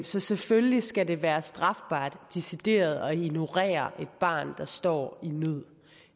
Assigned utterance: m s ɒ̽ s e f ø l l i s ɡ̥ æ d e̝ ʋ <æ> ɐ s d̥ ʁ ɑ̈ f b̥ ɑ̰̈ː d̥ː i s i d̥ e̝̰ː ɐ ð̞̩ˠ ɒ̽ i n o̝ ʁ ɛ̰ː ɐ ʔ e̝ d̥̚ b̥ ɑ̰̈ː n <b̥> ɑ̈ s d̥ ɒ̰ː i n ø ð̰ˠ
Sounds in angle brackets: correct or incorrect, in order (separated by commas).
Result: incorrect, incorrect